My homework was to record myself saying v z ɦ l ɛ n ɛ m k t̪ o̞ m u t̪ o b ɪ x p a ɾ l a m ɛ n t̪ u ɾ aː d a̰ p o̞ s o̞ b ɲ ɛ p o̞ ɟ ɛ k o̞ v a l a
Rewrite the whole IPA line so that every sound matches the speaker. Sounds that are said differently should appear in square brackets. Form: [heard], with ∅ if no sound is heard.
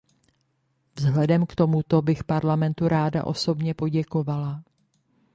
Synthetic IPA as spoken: v z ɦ l ɛ [d] ɛ m k t̪ o̞ m u t̪ o b ɪ x p a ɾ l a m ɛ n t̪ u ɾ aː d a̰ [ʔ] o̞ s o̞ b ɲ ɛ p o̞ ɟ ɛ k o̞ v a l a